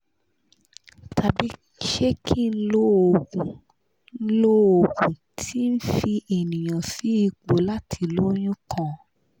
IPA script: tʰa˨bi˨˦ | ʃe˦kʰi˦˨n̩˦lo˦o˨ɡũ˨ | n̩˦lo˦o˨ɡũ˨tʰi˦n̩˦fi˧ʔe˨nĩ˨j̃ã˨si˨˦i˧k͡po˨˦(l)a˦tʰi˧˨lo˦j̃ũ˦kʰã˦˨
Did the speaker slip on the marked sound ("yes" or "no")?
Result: no